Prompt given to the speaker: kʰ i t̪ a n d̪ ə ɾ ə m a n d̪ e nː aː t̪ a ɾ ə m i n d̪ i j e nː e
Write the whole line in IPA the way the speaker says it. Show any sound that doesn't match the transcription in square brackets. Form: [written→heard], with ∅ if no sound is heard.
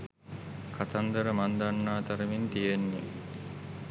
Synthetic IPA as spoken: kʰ [i→a] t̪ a n d̪ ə ɾ ə m a n d̪ [e→a] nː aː t̪ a ɾ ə m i n [d̪→t̪] i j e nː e